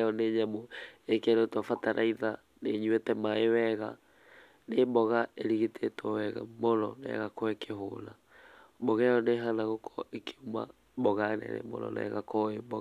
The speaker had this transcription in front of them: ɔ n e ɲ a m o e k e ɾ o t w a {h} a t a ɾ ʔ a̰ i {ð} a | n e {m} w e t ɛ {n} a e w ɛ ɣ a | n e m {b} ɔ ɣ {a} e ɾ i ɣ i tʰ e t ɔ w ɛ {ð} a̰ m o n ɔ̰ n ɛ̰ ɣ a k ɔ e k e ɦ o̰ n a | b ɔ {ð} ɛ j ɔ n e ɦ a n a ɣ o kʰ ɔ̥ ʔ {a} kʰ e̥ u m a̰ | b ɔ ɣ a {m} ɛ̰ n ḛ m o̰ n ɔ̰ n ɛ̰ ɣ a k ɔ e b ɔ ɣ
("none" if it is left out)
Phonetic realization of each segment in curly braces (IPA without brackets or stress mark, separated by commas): f, ð, ɲ, m, b, a, ɣ, ɣ, e, n